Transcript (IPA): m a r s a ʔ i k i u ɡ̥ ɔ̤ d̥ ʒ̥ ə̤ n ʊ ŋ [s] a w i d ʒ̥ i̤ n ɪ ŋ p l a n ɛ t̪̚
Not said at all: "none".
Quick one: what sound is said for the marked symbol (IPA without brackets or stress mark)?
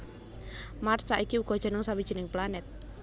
s